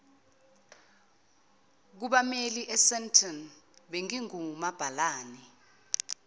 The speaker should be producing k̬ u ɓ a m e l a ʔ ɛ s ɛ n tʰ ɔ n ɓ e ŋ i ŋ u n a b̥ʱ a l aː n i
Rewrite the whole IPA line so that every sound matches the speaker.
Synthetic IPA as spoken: k̬ u ɓ a m e l i ʔ ɛ s ɛ n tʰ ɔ n ɓ e ŋ i ŋ u m a b̥ʱ a l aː n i